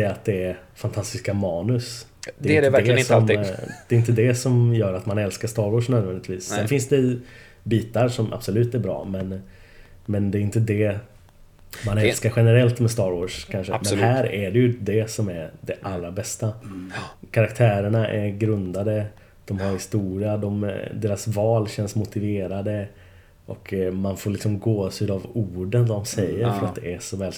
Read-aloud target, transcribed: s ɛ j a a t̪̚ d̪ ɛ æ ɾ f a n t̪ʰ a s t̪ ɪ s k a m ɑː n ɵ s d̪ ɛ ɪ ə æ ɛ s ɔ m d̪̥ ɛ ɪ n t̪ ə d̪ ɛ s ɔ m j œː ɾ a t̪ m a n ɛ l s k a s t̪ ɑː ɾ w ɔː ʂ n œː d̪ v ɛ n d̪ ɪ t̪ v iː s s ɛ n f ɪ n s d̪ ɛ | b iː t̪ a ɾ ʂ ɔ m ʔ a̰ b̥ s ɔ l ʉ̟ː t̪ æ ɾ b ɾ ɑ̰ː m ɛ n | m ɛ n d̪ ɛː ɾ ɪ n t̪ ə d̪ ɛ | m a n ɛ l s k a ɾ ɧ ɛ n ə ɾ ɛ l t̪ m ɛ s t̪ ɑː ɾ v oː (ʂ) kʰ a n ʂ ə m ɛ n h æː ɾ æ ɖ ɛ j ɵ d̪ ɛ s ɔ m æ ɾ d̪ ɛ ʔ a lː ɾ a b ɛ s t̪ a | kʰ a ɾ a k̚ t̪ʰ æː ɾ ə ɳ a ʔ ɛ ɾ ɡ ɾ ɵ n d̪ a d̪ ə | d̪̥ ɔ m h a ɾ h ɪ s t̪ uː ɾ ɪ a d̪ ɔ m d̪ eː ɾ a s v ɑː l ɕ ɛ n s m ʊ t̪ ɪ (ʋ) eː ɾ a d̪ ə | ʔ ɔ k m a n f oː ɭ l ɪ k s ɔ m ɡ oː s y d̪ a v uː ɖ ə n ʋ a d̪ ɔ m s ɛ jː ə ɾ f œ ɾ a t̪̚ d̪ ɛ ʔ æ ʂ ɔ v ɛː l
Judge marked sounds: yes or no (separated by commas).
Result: yes, no